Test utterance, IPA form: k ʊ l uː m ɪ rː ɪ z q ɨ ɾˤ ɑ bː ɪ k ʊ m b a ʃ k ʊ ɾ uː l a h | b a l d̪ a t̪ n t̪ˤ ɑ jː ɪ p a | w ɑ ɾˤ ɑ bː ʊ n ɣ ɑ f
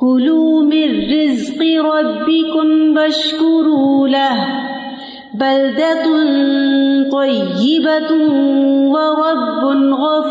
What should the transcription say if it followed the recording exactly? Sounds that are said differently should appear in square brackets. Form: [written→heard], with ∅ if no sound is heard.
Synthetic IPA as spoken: k ʊ l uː m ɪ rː ɪ z q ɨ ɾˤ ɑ bː ɪ k ʊ m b a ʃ k ʊ ɾ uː l a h | b a l d̪ a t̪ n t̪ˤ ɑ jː ɪ [p→b] a | w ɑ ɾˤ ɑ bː ʊ n ɣ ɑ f